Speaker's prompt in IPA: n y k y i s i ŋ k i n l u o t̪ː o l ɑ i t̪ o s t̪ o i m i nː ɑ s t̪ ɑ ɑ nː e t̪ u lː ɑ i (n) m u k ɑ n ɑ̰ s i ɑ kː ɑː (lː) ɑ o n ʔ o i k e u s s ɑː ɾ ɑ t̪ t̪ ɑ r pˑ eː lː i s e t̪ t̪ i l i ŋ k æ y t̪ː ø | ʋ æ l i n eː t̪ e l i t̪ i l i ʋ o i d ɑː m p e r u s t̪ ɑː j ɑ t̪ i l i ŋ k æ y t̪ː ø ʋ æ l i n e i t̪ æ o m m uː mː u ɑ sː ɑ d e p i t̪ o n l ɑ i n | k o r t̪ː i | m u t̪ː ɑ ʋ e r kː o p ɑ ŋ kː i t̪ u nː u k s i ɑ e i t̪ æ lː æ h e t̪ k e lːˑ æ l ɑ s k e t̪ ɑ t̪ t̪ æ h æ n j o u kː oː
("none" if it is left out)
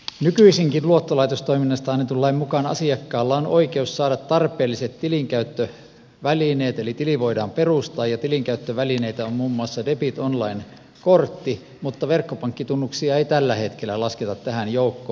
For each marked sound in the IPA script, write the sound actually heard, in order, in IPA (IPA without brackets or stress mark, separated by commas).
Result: m, lː